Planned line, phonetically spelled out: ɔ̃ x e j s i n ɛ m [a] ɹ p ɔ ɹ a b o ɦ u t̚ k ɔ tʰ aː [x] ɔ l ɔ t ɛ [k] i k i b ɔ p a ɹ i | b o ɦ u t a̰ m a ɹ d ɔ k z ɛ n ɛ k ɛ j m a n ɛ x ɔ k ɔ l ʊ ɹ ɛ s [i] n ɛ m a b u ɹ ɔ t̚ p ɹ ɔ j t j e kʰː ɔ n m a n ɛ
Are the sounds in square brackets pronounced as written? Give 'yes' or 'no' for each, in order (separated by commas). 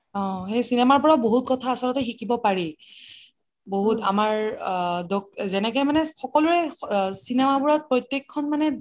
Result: yes, no, no, yes